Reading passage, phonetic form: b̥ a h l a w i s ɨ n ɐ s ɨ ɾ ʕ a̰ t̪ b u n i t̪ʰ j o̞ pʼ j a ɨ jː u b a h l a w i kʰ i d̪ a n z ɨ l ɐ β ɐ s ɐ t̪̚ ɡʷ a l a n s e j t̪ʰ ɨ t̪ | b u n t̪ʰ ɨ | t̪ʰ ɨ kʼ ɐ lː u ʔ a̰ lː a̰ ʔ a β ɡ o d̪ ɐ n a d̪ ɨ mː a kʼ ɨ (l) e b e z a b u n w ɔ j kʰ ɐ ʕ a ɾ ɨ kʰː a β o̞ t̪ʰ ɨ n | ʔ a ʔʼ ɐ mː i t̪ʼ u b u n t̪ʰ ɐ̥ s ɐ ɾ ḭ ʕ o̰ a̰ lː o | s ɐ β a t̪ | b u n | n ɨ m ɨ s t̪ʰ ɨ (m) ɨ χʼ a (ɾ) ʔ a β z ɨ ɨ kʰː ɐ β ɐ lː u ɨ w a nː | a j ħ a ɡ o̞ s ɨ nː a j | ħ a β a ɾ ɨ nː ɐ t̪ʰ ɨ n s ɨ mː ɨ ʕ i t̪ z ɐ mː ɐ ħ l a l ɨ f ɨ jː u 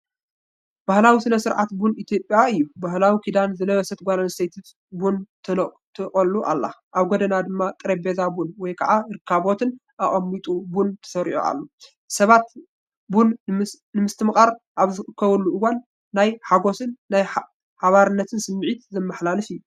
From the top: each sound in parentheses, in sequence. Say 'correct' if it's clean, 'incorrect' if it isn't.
incorrect, correct, correct

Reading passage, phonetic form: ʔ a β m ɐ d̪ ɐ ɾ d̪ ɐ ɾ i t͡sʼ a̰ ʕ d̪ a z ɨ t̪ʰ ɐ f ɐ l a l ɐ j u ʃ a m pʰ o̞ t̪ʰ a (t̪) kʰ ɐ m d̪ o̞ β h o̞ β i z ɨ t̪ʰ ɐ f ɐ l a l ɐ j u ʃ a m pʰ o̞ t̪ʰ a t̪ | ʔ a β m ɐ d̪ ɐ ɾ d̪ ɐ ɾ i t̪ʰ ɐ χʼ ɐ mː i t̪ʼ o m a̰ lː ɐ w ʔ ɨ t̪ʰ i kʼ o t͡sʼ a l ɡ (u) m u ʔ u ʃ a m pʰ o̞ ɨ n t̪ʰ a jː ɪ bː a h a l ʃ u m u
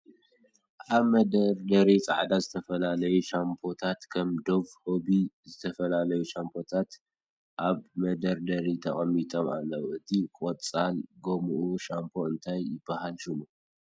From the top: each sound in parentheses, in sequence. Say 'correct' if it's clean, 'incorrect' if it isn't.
correct, incorrect

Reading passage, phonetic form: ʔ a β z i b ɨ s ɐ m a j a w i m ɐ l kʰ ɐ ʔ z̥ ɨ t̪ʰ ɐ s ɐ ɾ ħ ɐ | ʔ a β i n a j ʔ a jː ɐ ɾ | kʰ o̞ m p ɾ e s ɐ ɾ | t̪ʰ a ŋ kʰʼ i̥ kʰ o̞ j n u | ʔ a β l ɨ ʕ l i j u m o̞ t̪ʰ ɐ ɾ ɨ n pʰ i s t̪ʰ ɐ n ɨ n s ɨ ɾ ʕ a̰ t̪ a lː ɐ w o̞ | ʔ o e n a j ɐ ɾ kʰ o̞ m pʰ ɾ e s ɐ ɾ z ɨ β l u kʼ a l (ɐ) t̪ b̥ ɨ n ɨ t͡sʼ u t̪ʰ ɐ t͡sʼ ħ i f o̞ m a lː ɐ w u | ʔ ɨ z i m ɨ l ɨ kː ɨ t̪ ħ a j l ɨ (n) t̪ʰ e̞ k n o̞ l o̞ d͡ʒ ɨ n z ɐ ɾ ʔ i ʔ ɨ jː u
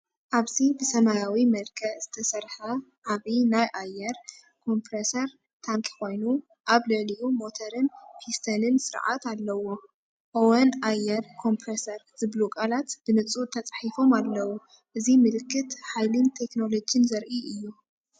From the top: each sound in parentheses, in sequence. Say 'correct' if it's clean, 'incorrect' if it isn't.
incorrect, correct

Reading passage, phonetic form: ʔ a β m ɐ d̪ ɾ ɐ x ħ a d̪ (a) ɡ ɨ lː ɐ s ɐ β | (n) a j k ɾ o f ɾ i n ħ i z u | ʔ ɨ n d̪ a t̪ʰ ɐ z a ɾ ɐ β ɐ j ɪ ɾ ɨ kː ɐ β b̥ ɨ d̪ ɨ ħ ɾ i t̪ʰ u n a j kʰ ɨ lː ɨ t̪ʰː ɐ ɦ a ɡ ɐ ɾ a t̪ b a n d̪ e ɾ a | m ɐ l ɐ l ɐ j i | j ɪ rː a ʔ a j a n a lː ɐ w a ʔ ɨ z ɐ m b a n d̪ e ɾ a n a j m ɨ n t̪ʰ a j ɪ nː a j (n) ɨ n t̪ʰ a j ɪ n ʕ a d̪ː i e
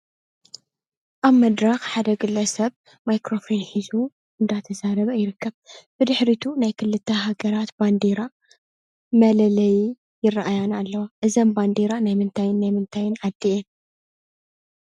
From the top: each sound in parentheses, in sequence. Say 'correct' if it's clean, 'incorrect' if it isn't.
incorrect, incorrect, incorrect

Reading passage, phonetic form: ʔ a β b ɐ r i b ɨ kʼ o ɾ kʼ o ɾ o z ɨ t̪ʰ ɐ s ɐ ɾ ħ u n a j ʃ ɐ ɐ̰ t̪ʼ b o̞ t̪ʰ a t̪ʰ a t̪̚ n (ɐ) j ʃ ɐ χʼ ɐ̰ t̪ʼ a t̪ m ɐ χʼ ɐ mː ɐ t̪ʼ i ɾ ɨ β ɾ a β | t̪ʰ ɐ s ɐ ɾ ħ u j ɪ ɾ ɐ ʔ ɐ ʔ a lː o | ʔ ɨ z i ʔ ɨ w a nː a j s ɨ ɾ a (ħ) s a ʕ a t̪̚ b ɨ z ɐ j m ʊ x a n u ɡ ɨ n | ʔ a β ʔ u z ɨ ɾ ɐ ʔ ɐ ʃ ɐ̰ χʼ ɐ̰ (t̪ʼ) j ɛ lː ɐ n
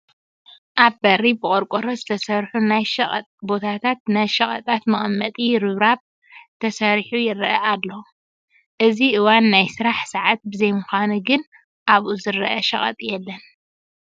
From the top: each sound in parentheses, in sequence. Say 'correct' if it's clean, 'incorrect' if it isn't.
incorrect, correct, correct

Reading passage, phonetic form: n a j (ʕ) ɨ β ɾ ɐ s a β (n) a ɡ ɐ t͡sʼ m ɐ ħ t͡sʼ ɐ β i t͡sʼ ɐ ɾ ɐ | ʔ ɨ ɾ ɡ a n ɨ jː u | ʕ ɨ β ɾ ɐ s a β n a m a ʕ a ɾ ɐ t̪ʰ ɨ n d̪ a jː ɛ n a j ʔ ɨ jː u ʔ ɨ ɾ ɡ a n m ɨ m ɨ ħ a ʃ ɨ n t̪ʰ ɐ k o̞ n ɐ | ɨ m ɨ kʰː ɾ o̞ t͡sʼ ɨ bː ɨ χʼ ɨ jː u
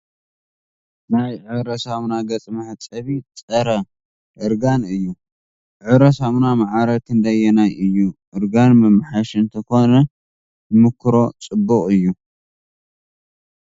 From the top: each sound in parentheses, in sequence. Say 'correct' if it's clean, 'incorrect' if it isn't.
correct, correct

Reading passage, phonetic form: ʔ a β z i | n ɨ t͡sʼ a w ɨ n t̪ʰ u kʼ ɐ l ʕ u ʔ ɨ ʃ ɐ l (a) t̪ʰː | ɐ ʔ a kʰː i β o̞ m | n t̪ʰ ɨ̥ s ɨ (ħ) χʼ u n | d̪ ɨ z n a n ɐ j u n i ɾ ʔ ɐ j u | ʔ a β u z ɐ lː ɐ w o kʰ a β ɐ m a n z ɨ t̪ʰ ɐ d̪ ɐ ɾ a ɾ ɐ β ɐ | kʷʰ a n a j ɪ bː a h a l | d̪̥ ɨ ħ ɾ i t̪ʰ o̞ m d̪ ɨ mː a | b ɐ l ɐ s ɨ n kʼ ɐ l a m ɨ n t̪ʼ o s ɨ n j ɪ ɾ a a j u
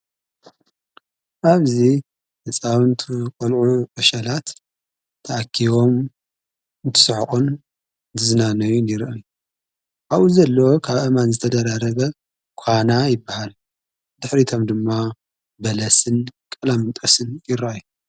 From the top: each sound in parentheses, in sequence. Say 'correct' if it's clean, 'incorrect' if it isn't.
correct, correct

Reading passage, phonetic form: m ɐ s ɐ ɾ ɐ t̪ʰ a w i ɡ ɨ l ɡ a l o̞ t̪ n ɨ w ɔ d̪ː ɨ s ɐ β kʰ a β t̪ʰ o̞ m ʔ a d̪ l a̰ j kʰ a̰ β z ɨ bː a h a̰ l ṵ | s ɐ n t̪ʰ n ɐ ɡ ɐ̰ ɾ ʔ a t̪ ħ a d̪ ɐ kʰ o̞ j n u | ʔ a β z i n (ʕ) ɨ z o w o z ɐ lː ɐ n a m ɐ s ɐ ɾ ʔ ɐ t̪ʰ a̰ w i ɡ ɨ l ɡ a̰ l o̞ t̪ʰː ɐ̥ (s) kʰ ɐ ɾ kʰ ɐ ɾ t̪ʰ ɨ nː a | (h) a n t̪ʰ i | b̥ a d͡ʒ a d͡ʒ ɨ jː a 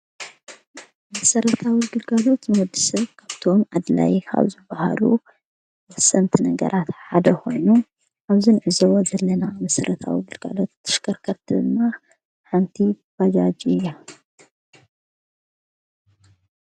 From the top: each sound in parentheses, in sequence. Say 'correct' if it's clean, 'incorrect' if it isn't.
correct, incorrect, incorrect

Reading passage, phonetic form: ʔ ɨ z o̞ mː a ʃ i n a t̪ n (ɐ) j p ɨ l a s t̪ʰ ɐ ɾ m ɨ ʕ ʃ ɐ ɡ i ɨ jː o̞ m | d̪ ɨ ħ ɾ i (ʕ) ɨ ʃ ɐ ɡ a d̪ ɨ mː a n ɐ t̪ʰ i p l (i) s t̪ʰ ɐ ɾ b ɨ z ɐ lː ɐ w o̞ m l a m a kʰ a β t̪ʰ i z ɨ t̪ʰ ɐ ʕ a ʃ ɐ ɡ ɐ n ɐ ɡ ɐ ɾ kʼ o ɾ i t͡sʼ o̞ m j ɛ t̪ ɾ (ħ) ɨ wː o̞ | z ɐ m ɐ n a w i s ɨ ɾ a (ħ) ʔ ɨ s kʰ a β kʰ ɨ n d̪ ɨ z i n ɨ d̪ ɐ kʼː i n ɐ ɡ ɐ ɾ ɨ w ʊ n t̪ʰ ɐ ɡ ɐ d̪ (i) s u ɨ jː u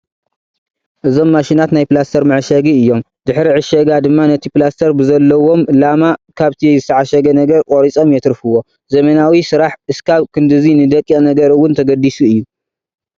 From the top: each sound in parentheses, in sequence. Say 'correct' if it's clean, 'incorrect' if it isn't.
incorrect, correct, incorrect, incorrect, correct, correct

